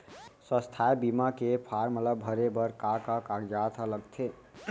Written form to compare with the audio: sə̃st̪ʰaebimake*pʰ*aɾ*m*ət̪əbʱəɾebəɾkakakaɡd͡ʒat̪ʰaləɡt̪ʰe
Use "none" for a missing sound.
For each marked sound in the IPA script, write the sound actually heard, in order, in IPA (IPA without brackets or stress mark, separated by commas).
pʰ, m